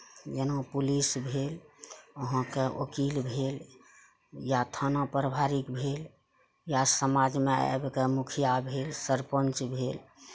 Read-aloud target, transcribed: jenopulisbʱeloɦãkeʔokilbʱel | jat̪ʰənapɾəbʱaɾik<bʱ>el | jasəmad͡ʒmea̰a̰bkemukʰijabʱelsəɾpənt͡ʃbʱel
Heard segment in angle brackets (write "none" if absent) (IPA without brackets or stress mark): bʱ